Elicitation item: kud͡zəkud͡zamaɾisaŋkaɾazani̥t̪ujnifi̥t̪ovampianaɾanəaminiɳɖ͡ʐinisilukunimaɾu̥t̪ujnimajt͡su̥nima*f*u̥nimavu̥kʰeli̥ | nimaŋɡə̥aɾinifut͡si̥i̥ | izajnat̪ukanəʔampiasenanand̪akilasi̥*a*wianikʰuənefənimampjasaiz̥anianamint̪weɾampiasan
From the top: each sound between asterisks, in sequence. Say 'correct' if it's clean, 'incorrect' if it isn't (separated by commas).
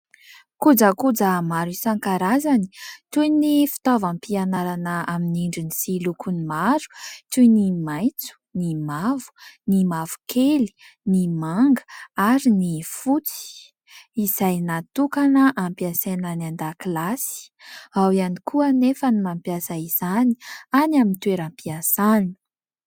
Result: incorrect, correct